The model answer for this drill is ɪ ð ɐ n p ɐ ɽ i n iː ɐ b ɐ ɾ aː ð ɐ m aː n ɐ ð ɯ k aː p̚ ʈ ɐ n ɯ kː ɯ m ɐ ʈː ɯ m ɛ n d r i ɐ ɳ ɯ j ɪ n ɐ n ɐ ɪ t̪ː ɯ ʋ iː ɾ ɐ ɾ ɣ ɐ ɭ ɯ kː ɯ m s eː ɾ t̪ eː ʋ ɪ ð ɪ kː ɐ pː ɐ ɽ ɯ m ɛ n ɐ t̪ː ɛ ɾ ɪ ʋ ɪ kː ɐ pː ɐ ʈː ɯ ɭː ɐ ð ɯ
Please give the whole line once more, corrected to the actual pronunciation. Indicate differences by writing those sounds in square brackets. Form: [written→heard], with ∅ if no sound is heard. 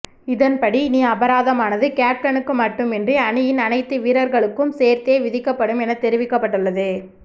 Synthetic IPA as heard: ɪ ð ɐ n p ɐ ɽ i n iː ɐ b ɐ ɾ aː ð ɐ m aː n ɐ ð ɯ k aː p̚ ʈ ɐ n ɯ kː ɯ m ɐ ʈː ɯ m ɛ n d r i ɐ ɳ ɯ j ɪ n ɐ n ɐ ɪ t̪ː ɯ ʋ iː ɾ ɐ ɾ ɣ ɐ ɭ ɯ kː ɯ m s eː ɾ t̪ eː ʋ ɪ ð ɪ kː ɐ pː ɐ ɽ ɯ m ɛ n ɐ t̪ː ɛ ɾ ɪ ʋ ɪ kː ɐ pː ɐ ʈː ɯ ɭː ɐ ð ɯ